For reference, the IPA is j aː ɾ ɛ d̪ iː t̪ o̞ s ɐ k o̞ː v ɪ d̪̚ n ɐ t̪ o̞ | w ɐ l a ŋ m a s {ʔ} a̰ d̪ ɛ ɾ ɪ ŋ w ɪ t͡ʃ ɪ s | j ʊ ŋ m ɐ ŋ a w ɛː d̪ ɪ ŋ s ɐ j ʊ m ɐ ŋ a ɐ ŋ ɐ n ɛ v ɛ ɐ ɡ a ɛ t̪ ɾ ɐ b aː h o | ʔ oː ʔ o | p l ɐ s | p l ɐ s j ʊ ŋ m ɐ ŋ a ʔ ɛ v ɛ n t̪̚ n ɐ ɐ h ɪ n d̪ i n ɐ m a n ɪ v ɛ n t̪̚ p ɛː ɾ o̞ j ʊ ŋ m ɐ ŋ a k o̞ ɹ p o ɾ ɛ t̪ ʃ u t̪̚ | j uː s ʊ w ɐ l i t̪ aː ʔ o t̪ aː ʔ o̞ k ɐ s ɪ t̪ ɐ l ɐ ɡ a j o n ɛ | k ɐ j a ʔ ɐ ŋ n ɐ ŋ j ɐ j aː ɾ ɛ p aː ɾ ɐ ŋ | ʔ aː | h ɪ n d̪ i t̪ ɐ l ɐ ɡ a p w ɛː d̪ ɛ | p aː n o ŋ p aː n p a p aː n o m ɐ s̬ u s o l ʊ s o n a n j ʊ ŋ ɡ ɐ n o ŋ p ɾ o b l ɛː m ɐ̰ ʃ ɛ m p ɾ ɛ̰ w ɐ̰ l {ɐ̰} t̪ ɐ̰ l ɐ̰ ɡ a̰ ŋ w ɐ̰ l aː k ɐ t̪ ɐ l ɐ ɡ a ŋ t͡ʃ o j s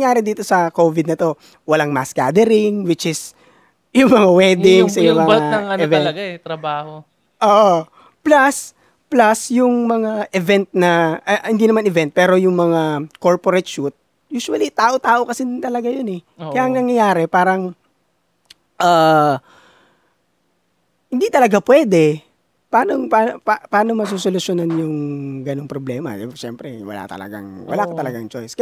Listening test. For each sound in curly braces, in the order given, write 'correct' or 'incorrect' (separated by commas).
incorrect, incorrect